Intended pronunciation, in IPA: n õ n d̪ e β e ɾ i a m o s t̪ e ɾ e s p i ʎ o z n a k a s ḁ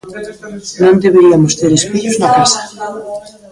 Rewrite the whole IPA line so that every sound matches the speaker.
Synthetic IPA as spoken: n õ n d̪ e β e ɾ i a m o s t̪ e ɾ e s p i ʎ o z n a k a s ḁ